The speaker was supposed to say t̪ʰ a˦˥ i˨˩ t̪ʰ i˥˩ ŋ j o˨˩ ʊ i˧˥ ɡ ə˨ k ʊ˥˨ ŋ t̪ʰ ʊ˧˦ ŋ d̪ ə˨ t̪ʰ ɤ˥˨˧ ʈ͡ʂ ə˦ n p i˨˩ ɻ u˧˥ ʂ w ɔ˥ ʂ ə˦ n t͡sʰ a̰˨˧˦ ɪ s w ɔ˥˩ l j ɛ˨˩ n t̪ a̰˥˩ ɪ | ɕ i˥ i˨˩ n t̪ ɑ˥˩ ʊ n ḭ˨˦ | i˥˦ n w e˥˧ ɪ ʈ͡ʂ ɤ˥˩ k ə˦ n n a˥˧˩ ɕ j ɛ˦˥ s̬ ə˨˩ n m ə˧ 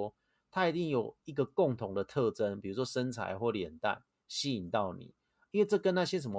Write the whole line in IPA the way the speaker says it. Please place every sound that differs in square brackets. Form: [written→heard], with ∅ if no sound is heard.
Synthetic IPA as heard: t̪ʰ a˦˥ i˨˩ [t̪ʰ→t̪] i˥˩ ŋ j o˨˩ ʊ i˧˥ ɡ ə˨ k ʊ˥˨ ŋ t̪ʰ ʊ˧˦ ŋ d̪ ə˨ t̪ʰ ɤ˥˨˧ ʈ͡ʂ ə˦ n p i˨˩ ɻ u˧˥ ʂ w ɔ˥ ʂ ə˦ n t͡sʰ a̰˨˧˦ ɪ [s→x] w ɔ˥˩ l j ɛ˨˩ n t̪ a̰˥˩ ɪ | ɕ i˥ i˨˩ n t̪ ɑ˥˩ ʊ n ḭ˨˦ | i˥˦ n w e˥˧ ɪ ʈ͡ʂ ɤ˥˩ k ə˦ n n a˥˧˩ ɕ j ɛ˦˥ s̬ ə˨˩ n m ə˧